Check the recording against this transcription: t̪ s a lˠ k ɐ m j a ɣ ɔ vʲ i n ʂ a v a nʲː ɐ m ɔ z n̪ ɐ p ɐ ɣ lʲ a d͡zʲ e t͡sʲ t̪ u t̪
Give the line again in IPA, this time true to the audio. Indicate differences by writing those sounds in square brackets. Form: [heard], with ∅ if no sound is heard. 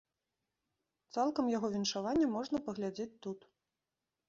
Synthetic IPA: t̪ s a lˠ k ɐ m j a ɣ ɔ vʲ i n ʂ a v a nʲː ɐ m ɔ [ʐ] n̪ ɐ p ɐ ɣ lʲ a d͡zʲ e t͡sʲ t̪ u t̪